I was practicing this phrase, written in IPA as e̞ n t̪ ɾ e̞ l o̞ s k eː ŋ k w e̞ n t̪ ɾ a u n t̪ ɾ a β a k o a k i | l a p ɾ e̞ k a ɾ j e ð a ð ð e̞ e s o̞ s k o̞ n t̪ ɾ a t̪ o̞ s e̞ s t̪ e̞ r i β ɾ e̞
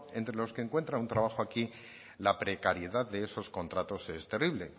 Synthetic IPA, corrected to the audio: e̞ n t̪ ɾ e̞ l o̞ s k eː ŋ k w e̞ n t̪ ɾ a u n t̪ ɾ a β a x o a k i | l a p ɾ e̞ k a ɾ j e ð a ð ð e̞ e s o̞ s k o̞ n t̪ ɾ a t̪ o̞ s e̞ s t̪ e̞ r i β l e̞